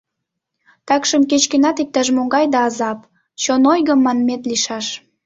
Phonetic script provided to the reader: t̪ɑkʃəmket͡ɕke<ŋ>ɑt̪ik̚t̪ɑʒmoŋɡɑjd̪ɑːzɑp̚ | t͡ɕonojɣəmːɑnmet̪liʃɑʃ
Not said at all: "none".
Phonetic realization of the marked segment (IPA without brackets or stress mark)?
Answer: n